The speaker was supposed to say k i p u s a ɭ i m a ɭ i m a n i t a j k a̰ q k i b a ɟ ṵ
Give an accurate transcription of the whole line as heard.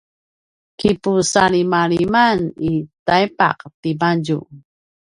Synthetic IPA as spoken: k i p u s a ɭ i m a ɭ i m a n i t a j p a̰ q t i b a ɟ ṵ

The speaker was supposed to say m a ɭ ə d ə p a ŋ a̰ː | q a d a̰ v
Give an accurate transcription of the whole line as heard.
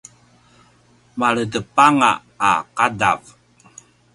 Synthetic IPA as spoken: m a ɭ ə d ə p a ŋ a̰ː | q a d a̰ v

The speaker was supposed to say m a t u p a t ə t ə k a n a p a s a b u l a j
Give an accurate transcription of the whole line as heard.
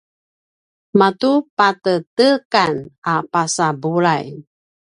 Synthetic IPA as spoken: m a t u p a t ə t ə k a n a p a s a b u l a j

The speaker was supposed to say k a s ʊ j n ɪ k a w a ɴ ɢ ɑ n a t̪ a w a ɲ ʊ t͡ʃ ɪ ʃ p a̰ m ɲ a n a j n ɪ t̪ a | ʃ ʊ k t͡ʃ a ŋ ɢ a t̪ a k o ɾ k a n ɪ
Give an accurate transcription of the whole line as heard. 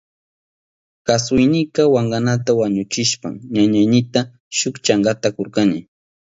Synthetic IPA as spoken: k a s ʊ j n ɪ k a w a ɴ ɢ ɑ n a t̪ a w a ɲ ʊ t͡ʃ ɪ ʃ p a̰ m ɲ a ɲ a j n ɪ t̪ a | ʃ ʊ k t͡ʃ a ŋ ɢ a t̪ a k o ɾ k a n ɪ

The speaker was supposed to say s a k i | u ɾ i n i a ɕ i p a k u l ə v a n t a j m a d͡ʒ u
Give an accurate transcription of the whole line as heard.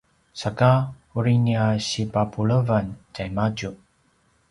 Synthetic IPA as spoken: s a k a | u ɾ i n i a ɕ i p a p u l ə v a n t a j m a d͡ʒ u

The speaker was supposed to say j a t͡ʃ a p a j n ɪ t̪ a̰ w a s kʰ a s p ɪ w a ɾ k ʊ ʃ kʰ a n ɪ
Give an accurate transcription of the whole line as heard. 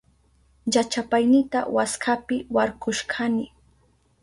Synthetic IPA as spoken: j a t͡ʃ a p a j n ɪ t̪ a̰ w a s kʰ a p ɪ w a ɾ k ʊ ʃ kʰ a n ɪ

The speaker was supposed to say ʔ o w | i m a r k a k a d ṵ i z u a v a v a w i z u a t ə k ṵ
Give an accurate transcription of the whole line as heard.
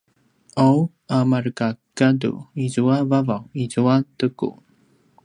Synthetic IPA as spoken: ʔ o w | a m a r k a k a d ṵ i z u a v a v a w i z u a t ə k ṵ

